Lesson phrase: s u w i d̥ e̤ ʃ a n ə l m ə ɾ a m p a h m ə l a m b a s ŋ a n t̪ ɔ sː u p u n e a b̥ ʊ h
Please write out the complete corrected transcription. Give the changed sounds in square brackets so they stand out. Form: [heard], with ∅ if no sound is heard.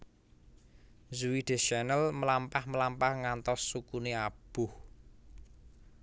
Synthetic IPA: [z] u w i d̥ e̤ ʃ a n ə l m ə [l] a m p a h m ə l a m [p] a [h] ŋ a n t̪ ɔ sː u [k] u n e a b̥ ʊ h